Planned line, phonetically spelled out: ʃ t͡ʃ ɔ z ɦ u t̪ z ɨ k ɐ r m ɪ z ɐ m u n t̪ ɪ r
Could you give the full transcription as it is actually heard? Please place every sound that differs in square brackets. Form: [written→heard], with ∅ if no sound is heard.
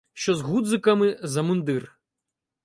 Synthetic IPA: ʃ t͡ʃ ɔ z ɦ u [t̪→d̪] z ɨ k ɐ [r→∅] m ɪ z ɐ m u n [t̪→d̪] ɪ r